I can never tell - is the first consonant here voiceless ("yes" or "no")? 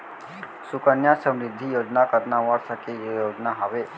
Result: yes